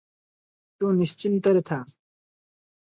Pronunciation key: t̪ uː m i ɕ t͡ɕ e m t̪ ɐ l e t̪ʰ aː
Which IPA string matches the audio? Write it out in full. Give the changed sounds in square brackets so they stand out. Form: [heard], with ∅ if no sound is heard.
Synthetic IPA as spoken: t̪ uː [n] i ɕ t͡ɕ [i] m t̪ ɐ [ɾ] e t̪ʰ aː